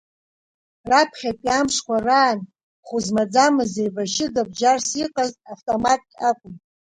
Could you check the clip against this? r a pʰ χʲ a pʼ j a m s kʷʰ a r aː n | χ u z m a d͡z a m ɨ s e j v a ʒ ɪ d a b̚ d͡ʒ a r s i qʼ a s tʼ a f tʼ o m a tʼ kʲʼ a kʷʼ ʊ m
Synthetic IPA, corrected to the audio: r a pʰ χʲ a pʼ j a m ʂ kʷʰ a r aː n | χ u z m a d͡z a m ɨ z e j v a ʃ ɪ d a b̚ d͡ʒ a r s i qʼ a z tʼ a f tʼ o m a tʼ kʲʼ a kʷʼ ʊ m